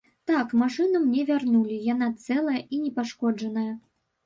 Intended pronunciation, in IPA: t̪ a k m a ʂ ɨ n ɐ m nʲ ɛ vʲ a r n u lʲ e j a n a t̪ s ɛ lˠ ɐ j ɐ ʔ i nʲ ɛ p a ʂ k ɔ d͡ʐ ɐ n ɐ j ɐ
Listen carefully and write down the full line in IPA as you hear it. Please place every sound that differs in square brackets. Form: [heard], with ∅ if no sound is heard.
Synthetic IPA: t̪ a k m a ʂ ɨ n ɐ m nʲ ɛ vʲ a r n u lʲ [i] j a n a t̪ s ɛ lˠ ɐ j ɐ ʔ i nʲ ɛ p a ʂ k ɔ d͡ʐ ɐ n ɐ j ɐ